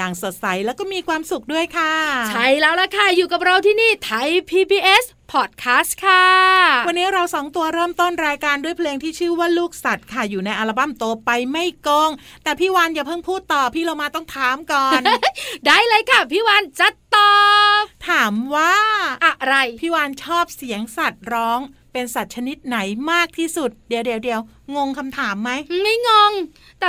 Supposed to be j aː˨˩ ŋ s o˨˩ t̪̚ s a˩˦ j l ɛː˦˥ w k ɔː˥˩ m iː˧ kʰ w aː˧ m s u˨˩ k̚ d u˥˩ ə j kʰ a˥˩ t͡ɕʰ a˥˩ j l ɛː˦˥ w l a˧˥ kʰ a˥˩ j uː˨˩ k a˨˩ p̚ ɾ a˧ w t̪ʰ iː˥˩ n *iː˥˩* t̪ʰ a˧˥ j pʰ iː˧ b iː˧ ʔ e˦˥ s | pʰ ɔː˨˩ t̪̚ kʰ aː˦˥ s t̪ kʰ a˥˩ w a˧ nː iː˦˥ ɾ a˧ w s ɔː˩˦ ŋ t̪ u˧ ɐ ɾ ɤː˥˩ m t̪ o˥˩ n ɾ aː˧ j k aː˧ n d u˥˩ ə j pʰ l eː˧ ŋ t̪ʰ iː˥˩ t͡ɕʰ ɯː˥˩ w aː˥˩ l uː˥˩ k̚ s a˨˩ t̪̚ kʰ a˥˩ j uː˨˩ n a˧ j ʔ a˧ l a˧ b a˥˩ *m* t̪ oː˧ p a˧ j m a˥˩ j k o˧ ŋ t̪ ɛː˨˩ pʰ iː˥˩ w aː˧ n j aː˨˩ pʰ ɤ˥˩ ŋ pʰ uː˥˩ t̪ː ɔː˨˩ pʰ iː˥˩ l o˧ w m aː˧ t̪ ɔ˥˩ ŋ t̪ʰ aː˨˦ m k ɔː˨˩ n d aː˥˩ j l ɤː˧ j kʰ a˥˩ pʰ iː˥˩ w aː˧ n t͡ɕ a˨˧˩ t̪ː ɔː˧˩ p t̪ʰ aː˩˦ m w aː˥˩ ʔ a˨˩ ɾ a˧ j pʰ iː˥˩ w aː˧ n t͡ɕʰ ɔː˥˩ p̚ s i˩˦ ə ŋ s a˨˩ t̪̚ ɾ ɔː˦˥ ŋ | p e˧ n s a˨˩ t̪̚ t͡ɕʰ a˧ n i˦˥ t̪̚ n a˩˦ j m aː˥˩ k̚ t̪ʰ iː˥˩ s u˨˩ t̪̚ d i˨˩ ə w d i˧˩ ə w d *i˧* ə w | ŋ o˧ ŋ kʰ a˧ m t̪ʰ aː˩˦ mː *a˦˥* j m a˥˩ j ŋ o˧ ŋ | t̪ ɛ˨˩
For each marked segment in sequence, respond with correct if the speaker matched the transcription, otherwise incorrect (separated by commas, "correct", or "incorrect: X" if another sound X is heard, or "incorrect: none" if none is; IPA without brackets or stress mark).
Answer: correct, correct, correct, correct